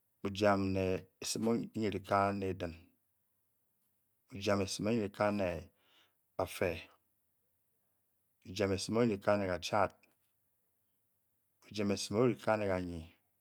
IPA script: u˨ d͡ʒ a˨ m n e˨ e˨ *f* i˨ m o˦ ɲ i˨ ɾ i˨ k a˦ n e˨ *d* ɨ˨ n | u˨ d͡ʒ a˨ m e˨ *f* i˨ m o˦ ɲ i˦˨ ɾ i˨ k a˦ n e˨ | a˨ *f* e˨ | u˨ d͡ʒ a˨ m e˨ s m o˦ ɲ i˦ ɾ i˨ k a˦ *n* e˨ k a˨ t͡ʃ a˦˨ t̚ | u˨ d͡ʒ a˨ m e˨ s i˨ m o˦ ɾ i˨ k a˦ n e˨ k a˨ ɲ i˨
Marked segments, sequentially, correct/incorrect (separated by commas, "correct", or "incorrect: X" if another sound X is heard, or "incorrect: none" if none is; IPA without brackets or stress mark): incorrect: s, correct, incorrect: s, correct, correct